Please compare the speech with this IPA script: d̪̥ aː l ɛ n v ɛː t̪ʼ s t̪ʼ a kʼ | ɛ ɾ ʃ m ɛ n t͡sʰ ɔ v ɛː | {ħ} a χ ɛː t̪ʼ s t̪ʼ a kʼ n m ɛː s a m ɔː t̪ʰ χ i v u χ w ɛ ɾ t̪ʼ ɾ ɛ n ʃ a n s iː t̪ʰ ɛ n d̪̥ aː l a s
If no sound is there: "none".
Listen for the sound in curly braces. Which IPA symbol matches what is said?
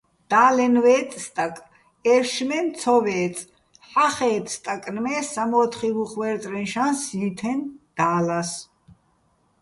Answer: ħ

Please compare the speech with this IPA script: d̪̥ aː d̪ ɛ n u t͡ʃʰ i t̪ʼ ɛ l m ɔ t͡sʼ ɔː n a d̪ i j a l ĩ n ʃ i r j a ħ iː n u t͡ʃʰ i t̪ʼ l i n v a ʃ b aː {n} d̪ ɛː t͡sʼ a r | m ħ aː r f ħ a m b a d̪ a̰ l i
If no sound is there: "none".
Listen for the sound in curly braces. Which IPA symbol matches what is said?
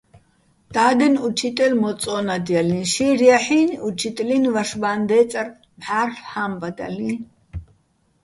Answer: n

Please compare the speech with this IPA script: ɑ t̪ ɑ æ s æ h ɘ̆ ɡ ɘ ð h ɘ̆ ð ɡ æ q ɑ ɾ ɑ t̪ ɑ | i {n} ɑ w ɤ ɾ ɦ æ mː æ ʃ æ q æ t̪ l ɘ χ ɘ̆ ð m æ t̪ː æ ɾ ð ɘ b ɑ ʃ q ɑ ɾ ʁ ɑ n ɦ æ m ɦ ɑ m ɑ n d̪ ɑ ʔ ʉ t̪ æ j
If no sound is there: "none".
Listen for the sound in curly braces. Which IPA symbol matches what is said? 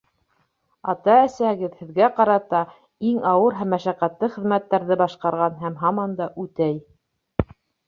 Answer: ŋ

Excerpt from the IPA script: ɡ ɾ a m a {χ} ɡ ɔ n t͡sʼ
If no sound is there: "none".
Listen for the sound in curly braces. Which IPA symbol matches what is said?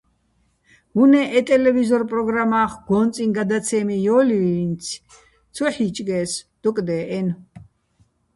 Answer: χ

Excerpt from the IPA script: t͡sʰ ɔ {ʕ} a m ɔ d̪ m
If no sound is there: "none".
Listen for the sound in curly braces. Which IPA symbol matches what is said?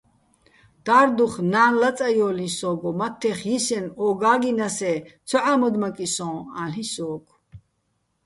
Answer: ʕ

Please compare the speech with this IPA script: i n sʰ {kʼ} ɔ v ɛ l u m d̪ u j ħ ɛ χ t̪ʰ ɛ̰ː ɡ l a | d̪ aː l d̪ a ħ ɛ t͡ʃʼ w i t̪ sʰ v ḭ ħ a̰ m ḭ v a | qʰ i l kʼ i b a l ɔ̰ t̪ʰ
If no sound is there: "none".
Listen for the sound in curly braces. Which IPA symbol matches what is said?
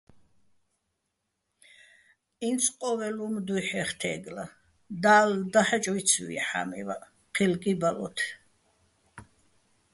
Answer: qʼ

